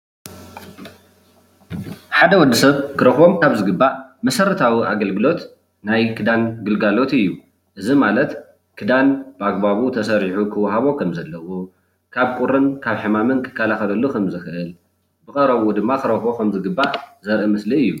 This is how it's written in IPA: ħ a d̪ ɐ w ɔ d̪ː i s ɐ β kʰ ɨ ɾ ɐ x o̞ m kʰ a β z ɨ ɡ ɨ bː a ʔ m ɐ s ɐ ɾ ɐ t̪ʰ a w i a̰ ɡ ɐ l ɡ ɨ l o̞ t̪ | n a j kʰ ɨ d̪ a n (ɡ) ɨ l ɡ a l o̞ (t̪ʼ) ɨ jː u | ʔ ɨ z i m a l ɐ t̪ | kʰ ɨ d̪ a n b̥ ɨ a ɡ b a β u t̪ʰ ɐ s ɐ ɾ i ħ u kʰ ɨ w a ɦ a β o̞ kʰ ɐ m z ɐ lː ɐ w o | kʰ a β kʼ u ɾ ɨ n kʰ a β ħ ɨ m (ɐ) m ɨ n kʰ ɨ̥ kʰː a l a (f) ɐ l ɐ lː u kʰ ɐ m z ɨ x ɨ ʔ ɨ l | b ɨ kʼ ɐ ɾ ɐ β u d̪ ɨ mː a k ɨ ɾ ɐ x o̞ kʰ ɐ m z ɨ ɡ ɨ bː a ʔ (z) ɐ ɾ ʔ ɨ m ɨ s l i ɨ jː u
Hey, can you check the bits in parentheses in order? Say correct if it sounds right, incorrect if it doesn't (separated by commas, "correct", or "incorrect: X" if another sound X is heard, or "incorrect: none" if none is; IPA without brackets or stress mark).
correct, incorrect: t̪, incorrect: a, incorrect: x, correct